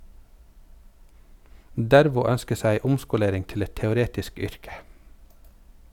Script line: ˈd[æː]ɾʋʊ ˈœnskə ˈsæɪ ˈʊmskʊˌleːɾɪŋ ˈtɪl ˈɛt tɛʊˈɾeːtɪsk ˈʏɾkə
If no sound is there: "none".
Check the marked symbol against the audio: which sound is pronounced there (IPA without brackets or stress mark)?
æ